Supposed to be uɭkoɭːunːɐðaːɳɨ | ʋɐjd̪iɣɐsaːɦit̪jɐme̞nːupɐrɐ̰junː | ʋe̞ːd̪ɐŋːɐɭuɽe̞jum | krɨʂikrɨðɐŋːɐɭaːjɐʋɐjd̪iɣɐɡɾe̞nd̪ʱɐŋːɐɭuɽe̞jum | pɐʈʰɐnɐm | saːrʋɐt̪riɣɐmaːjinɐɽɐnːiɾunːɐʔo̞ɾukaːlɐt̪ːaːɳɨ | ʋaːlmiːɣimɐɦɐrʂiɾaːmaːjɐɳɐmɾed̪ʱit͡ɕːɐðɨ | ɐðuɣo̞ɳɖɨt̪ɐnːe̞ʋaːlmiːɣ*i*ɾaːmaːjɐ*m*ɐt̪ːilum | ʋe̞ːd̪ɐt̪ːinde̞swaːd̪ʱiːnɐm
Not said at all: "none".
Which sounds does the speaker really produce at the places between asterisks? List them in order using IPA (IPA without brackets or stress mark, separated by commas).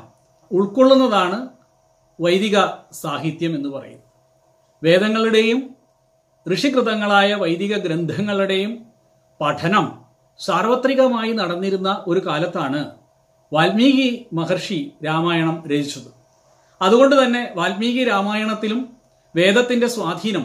i, ɳ